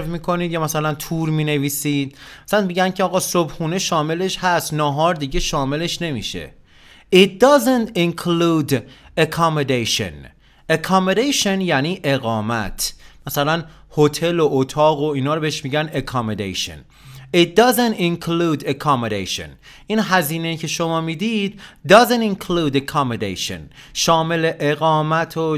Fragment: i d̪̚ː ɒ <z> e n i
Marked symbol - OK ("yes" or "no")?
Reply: yes